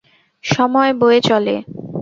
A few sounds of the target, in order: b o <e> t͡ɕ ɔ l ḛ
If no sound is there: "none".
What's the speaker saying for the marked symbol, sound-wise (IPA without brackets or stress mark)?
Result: e